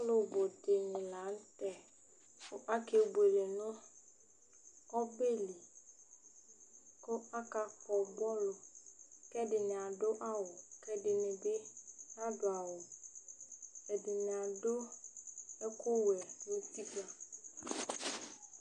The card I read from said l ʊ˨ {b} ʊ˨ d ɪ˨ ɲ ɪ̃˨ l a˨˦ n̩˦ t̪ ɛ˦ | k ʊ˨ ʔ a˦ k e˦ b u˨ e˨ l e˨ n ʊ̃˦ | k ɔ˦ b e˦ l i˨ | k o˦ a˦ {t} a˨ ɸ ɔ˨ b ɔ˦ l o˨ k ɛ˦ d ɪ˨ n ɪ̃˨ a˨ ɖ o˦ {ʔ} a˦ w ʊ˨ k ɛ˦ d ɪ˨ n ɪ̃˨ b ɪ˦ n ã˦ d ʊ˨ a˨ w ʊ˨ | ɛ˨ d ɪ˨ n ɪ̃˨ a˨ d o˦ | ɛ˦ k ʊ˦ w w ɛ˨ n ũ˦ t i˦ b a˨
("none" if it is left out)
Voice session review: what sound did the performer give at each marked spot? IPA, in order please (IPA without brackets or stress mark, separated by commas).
b, k, ʔ